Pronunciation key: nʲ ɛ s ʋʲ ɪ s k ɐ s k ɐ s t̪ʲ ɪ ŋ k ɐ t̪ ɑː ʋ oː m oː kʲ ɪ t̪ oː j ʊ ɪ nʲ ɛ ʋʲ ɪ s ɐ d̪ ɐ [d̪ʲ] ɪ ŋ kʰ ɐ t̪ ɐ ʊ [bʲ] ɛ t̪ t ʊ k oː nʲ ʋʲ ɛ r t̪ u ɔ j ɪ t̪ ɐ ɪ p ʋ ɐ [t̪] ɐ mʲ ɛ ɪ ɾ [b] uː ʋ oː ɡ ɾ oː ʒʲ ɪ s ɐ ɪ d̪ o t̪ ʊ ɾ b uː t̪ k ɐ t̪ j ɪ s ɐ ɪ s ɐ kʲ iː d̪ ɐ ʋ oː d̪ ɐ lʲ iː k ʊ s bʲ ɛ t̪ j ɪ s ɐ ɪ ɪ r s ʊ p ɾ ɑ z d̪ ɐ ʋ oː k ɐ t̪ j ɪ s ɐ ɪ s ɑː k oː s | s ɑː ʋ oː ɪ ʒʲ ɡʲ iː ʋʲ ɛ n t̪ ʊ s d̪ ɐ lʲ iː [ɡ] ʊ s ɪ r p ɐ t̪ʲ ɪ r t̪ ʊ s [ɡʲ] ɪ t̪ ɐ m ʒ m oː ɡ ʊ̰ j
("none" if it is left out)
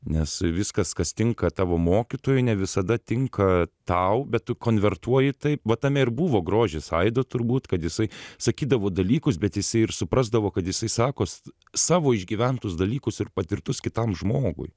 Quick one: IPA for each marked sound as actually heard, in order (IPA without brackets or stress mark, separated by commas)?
t̪ʲ, bʲ, t̪, b, k, kʲ